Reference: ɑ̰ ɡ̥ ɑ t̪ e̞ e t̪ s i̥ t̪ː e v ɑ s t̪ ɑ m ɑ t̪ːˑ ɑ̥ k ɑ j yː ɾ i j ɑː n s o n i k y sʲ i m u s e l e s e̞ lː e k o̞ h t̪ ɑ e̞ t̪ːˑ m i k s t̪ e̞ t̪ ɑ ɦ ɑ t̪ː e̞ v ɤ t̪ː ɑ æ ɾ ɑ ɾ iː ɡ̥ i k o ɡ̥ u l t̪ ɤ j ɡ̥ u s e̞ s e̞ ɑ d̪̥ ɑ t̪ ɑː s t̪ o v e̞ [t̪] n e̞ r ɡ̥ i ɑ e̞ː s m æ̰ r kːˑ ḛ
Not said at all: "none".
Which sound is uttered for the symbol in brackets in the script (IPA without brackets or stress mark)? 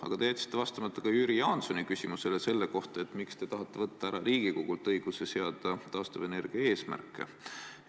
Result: none